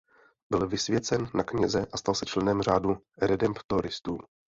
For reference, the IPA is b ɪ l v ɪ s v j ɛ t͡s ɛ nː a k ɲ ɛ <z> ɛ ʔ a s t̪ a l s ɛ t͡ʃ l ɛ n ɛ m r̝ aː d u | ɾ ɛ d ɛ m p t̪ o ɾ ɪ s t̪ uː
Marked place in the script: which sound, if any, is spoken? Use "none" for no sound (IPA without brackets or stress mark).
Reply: z